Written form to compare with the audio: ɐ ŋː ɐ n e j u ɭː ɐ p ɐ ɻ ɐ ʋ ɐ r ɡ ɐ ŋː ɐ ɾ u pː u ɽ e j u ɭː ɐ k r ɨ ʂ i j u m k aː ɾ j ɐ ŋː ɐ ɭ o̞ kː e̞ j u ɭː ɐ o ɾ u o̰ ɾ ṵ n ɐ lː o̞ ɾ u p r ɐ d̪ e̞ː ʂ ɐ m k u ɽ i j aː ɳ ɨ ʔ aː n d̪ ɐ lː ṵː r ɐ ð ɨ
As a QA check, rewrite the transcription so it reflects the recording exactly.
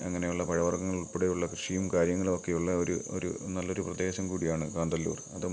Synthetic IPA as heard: ɐ ŋː ɐ n e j u ɭː ɐ p ɐ ɻ ɐ ʋ ɐ r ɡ ɐ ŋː ɐ ɭ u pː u ɽ e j u ɭː ɐ k r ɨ ʂ i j u m k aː ɾ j ɐ ŋː ɐ ɭ o̞ kː e̞ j u ɭː ɐ o ɾ u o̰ ɾ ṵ n ɐ lː o̞ ɾ u p r ɐ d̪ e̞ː ɕ ɐ m k uː ɽ i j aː ɳ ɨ k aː n d̪ ɐ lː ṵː r ɐ ð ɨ